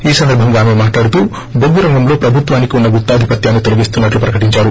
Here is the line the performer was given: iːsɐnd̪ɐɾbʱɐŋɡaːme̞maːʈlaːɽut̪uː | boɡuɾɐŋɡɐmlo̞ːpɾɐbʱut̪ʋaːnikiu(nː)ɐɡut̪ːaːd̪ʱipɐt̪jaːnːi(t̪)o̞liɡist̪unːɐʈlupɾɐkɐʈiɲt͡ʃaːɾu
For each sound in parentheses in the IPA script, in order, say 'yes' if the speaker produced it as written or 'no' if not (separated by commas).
yes, yes